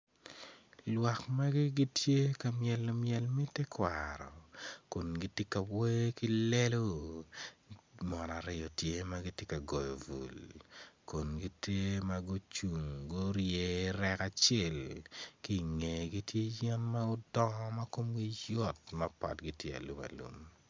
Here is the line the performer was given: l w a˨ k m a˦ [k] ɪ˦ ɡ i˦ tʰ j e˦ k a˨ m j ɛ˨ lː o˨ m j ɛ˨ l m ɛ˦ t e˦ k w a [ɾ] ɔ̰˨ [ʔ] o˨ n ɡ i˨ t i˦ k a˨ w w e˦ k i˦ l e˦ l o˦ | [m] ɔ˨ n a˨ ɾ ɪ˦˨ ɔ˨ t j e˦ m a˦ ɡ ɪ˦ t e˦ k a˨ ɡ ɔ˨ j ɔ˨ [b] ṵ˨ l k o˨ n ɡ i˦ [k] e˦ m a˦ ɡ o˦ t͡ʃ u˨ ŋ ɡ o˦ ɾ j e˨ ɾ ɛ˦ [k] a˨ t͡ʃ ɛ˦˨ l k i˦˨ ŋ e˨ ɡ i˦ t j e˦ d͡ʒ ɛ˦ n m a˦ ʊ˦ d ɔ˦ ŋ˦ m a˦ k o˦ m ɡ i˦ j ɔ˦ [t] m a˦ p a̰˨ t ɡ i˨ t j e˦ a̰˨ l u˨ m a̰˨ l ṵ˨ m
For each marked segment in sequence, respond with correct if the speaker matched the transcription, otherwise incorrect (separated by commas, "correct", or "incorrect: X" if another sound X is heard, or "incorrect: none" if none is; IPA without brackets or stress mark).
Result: incorrect: ɡ, correct, incorrect: k, correct, incorrect: v, incorrect: t, correct, correct